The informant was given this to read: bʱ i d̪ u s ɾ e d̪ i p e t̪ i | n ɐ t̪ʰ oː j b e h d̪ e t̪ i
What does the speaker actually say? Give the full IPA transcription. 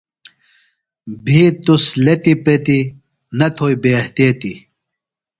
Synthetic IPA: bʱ i t̪ u s l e t̪ i p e t̪ i | n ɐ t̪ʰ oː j b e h t̪ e t̪ i